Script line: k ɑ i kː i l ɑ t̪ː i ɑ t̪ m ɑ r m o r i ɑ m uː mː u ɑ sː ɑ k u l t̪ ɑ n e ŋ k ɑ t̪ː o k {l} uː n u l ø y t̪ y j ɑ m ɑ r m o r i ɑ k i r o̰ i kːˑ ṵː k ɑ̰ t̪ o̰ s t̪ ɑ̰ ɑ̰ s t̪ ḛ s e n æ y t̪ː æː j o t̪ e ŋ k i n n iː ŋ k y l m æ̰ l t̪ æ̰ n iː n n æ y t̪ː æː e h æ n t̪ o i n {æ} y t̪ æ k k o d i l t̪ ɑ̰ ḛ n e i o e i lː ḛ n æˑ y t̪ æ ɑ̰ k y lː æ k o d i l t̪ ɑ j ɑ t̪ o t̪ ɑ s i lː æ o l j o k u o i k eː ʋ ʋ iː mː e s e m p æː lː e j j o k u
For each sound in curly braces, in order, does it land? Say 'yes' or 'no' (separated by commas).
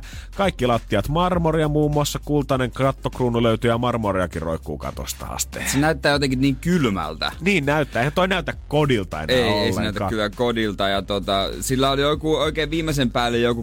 no, yes